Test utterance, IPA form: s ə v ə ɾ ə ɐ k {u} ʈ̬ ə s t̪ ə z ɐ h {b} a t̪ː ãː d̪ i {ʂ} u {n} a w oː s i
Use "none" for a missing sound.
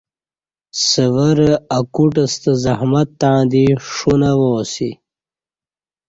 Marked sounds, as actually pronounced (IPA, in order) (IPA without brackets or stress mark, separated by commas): u, m, ʂ, n